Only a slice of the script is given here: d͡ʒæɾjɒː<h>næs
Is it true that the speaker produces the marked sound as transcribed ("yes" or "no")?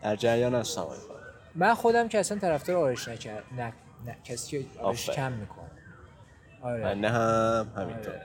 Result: no